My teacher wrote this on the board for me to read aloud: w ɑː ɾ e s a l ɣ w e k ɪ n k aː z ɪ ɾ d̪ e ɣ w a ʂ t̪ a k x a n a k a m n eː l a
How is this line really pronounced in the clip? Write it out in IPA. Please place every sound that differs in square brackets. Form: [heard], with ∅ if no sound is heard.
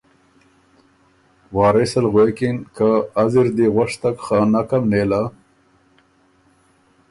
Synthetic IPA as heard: w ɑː ɾ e s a l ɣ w e k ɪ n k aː z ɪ ɾ d̪ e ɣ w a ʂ t̪ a k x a n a k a m n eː l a